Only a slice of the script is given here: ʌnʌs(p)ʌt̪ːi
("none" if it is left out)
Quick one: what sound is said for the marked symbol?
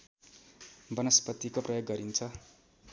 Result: p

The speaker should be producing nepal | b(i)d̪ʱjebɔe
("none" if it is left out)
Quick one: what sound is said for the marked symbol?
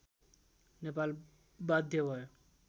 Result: a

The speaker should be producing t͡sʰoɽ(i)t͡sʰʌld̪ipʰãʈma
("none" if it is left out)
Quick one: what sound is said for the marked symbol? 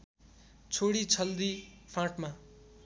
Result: i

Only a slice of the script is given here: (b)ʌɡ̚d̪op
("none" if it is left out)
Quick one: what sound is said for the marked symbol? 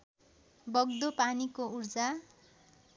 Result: b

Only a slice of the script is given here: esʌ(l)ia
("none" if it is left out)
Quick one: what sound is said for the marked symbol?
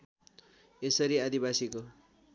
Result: ɾ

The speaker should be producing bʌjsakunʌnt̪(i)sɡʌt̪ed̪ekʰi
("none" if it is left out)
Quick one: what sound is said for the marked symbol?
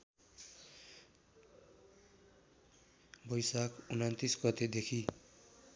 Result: i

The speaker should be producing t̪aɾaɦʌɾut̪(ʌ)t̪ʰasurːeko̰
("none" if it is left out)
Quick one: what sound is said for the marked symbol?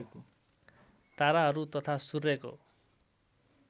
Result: ʌ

